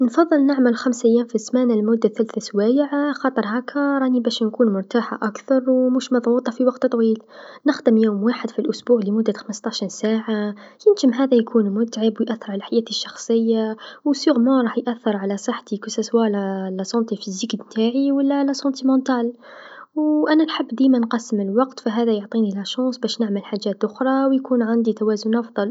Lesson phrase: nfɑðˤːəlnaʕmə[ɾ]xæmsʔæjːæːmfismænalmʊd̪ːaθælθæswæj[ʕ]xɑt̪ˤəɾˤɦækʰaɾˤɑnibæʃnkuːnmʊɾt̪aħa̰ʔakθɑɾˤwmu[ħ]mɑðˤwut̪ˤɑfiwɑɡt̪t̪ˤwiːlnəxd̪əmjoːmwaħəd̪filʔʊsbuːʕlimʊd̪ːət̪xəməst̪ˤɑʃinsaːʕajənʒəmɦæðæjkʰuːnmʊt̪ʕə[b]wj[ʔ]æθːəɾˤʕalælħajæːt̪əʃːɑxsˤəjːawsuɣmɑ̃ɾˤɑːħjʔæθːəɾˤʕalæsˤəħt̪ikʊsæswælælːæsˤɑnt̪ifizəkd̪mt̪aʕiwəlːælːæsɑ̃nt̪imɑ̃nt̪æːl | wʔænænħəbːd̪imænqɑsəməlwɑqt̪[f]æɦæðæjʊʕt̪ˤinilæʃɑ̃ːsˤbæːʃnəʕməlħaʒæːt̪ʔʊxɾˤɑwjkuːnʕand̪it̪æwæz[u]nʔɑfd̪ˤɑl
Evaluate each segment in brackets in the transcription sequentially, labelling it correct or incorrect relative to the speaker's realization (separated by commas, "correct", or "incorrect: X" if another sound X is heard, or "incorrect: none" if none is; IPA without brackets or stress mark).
incorrect: l, correct, incorrect: ʃ, correct, correct, correct, incorrect: ʊ